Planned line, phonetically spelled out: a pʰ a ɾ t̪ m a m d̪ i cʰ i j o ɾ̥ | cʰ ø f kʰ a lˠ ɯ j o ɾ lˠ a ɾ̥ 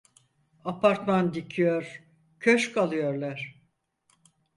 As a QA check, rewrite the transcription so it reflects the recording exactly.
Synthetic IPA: a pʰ a ɾ t̪ m a n d̪ i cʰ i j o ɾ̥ | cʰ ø ʃ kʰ a lˠ ɯ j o ɾ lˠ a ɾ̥